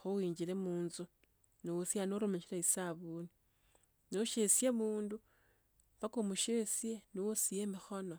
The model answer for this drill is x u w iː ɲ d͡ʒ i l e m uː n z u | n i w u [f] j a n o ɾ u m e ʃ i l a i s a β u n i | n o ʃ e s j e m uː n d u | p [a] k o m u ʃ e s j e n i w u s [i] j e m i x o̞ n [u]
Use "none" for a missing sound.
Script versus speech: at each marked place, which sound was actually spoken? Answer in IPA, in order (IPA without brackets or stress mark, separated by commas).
s, a, i, o